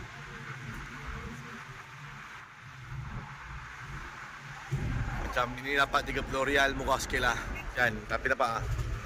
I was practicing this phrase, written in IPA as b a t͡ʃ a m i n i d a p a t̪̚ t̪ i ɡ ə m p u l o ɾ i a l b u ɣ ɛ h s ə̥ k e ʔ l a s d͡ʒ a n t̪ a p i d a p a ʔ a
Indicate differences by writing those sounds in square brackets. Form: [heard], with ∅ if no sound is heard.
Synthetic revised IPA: [m] a t͡ʃ a m i n i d a p a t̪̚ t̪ i ɡ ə [∅] p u l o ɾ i a l [m] u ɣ [a] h s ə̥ k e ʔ l a [h] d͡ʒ a n t̪ a p i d a p a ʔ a